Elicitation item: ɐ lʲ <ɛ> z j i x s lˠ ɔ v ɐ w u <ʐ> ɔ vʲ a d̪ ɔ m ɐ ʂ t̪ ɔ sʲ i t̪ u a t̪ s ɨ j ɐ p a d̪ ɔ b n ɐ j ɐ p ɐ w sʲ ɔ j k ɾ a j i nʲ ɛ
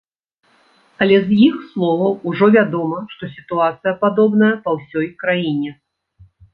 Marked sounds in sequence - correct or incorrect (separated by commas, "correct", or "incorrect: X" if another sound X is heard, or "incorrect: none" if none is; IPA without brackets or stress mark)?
correct, correct